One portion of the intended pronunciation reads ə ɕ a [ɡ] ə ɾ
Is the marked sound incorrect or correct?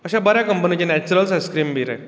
incorrect